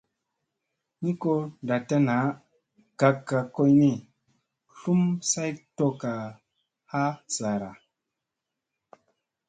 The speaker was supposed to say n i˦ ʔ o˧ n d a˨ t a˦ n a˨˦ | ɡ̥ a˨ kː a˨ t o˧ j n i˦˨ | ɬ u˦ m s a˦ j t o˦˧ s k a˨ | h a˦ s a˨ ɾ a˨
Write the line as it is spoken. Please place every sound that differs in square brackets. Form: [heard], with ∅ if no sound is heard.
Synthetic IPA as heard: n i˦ [k] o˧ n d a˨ t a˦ n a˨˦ | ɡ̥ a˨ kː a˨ [k] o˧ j n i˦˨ | ɬ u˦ m s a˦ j t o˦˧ [∅] k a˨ | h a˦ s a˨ ɾ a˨